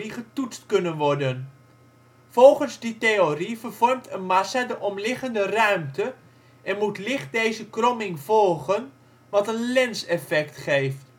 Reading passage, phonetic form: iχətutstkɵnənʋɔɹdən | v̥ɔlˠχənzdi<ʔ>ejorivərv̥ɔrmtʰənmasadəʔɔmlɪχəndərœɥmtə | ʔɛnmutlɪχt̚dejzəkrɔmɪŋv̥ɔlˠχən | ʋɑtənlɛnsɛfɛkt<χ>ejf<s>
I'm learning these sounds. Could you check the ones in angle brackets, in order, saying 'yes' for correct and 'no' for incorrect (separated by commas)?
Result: no, yes, no